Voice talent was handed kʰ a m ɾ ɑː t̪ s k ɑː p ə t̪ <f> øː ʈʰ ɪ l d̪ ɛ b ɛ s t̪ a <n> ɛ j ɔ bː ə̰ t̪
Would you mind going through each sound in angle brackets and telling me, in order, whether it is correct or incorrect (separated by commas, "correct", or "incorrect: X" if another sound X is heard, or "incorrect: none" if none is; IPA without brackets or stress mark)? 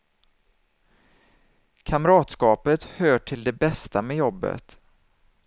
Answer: incorrect: h, incorrect: m